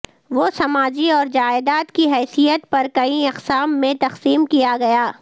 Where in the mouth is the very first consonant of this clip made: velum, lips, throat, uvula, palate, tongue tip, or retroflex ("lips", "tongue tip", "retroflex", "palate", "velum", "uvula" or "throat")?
lips